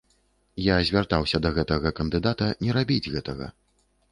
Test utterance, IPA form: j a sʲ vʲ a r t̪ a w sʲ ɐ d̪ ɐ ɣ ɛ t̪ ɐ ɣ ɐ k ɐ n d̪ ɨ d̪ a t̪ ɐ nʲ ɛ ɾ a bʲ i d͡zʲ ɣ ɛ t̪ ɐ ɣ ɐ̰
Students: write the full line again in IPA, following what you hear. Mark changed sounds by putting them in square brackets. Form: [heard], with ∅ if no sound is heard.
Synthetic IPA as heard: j a [zʲ] vʲ a r t̪ a w sʲ ɐ d̪ ɐ ɣ ɛ t̪ ɐ ɣ ɐ k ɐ n d̪ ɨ d̪ a t̪ ɐ nʲ ɛ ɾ a bʲ i d͡zʲ ɣ ɛ t̪ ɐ ɣ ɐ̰